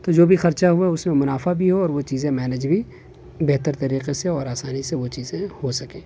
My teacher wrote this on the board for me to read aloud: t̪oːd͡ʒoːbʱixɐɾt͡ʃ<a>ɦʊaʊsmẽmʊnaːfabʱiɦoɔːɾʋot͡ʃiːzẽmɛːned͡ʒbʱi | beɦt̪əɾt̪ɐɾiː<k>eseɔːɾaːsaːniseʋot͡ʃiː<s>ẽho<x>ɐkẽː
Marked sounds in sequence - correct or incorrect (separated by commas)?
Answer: correct, incorrect, incorrect, incorrect